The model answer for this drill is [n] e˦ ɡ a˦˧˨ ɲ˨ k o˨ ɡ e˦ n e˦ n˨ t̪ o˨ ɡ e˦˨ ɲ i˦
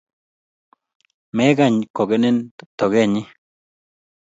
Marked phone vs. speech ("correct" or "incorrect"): incorrect